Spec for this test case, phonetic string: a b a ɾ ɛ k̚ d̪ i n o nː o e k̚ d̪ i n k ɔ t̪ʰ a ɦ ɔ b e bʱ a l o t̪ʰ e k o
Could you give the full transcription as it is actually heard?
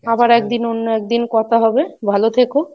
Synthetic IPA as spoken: a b a ɾ ɛ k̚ d̪ i n o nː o ɛ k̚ d̪ i n k ɔ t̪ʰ a ɦ ɔ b e bʱ a l o t̪ʰ e k o